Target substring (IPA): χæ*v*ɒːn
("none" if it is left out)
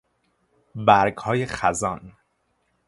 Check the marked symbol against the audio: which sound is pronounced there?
z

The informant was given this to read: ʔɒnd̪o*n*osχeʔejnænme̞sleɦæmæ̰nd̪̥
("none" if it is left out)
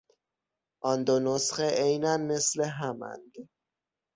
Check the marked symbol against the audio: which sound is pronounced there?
n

